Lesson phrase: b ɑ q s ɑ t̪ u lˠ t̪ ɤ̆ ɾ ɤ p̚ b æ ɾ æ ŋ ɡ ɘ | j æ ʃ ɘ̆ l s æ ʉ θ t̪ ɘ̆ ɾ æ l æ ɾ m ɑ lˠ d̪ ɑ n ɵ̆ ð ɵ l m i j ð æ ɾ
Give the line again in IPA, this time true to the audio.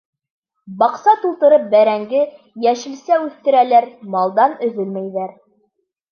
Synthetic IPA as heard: b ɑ q s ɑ t̪ u lˠ t̪ ɤ̆ ɾ ɤ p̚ b æ ɾ æ ŋ ɡ ɘ | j æ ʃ ɘ̆ l s æ ʉ θ t̪ ɘ̆ ɾ æ l æ ɾ m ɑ lˠ d̪ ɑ n ɵ̆ ð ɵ l m æ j ð æ ɾ